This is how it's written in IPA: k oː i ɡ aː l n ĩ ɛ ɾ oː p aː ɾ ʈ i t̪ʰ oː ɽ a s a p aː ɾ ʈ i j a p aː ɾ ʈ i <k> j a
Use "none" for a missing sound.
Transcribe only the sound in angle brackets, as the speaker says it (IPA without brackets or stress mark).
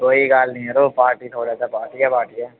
none